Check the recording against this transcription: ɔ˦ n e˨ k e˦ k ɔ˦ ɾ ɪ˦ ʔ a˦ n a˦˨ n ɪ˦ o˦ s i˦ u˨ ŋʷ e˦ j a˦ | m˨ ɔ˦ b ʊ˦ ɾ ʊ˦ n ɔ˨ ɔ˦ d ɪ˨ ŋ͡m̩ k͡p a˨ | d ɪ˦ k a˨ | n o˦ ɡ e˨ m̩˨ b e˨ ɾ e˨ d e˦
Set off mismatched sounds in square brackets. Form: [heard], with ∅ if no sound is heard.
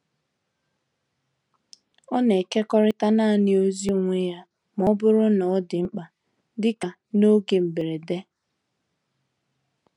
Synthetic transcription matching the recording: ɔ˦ n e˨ k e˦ k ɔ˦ ɾ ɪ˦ [t] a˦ n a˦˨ n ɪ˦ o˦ [z] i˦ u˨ ŋʷ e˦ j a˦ | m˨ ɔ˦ b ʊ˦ ɾ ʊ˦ n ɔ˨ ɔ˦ d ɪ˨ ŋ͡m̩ k͡p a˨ | d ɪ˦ k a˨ | n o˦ ɡ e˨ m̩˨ b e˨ ɾ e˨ d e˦